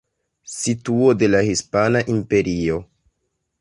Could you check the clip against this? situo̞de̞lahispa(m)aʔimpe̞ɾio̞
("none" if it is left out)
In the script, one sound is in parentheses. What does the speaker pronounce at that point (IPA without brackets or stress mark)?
n